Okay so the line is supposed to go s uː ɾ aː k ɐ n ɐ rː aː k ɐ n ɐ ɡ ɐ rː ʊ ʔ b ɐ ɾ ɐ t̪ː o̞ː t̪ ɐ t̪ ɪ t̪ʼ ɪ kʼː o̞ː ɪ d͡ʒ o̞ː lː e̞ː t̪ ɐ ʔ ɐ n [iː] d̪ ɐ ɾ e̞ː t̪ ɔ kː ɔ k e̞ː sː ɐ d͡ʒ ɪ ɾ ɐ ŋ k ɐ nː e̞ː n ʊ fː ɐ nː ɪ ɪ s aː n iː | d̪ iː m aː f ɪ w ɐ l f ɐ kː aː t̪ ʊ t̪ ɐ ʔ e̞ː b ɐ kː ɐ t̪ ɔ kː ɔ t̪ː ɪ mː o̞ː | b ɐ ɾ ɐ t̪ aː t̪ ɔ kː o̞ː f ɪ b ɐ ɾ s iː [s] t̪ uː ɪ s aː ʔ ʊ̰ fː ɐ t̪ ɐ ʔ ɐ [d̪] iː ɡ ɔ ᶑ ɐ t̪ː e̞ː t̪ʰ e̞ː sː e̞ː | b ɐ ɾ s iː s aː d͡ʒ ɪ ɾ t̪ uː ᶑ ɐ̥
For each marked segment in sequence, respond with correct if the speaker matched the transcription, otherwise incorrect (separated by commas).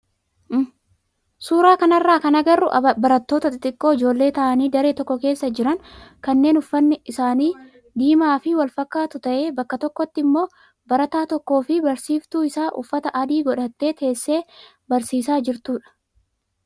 correct, incorrect, correct